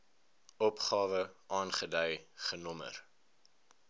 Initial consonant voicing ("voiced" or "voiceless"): voiceless